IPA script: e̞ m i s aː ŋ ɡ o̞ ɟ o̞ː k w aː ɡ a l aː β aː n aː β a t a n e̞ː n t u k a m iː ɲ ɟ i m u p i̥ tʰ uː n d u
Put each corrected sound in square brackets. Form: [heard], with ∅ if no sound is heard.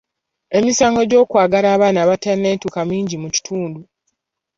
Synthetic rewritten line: e̞ m i s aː ŋ ɡ o̞ ɟ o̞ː k w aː ɡ a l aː β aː n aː β a t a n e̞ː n t u k a m iː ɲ ɟ i m u [c] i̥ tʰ uː n d u